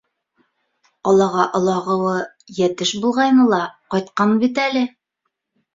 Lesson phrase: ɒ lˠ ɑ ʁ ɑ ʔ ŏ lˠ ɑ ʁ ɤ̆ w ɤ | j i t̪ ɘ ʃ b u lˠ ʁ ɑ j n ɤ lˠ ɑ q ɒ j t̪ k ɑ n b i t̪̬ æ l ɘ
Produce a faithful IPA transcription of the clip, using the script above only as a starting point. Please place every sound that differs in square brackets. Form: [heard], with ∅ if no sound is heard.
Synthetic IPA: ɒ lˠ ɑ ʁ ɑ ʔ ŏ lˠ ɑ ʁ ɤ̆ w ɤ | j [æ] t̪ ɘ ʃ b u lˠ ʁ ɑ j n ɤ lˠ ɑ q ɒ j t̪ [q] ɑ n b i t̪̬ æ l ɘ